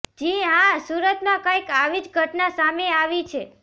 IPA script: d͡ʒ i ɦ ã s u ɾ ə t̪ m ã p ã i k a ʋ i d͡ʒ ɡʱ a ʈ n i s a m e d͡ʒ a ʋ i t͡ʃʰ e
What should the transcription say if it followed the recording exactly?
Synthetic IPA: d͡ʒ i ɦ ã s u ɾ ə t̪ m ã k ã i k a ʋ i d͡ʒ ɡʱ ə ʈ n a s a m e a ʋ i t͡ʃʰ e